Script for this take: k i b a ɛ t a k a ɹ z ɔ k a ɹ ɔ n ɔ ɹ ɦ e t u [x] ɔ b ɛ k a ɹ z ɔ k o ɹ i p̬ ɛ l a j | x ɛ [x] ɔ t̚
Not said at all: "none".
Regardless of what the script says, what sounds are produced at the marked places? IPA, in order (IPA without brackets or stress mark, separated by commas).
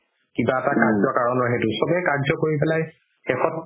s, x